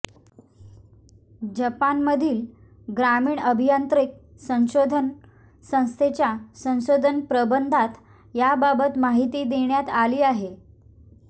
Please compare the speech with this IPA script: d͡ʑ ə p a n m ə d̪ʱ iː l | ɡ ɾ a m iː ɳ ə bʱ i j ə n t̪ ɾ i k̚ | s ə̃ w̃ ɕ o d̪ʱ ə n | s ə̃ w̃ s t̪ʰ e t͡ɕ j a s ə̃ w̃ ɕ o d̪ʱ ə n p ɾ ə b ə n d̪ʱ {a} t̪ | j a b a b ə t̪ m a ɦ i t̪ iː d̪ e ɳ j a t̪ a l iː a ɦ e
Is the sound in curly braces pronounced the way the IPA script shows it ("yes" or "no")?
yes